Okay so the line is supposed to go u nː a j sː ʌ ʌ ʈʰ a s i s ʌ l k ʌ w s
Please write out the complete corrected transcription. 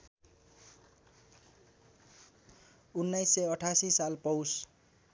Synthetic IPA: u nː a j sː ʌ ʌ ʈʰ a s i s a l p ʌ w s